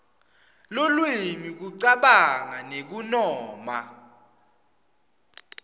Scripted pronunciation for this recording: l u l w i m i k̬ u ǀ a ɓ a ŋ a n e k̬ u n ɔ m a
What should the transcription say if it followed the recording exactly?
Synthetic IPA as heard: l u l w i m i k̬ u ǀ a ɓ a ŋ a n e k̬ u n ɔː m a